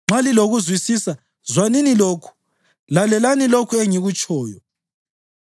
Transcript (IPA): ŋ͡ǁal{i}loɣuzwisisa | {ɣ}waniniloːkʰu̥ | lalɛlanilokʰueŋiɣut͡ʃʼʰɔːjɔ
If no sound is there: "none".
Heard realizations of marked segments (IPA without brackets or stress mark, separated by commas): i, z